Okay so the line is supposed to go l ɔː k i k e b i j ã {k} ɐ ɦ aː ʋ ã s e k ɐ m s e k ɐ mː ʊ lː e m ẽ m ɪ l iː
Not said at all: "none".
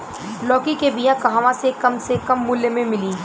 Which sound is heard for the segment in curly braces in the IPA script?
k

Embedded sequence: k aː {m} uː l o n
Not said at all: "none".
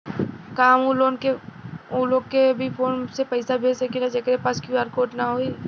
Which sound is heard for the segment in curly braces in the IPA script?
m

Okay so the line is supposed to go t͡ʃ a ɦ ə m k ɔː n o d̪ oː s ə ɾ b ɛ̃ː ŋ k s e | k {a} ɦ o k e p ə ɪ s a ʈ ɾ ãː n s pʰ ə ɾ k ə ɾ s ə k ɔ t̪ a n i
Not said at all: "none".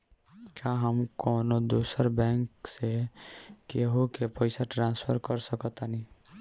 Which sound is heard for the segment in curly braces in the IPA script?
e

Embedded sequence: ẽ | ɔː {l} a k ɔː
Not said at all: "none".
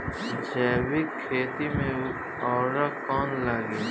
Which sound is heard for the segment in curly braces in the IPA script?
ɾ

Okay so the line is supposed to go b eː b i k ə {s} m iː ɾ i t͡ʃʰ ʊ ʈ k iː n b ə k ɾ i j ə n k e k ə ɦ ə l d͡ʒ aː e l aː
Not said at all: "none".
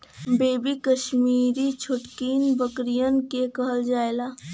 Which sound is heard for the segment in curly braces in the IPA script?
ʃ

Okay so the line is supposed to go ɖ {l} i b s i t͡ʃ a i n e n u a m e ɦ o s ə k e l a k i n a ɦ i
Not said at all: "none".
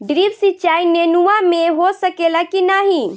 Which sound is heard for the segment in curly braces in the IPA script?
ɾ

